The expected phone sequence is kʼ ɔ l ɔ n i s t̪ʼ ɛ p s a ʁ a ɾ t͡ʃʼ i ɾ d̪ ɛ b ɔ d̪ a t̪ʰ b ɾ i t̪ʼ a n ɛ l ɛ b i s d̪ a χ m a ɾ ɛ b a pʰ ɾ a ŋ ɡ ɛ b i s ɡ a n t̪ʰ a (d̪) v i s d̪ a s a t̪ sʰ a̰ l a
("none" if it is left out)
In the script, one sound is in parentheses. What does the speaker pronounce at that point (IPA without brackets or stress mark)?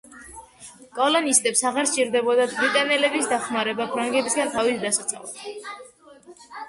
none